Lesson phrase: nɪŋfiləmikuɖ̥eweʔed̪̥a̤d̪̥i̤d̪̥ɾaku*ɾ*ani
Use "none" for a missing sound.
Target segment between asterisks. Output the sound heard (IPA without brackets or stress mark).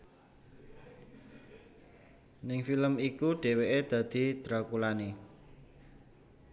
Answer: l